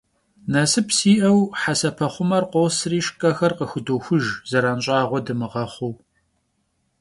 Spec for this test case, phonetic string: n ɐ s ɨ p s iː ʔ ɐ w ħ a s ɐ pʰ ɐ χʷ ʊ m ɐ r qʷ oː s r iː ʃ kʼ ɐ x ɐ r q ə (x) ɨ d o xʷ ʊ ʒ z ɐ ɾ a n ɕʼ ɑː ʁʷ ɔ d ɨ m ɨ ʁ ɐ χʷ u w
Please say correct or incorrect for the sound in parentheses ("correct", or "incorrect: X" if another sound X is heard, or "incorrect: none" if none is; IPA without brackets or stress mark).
correct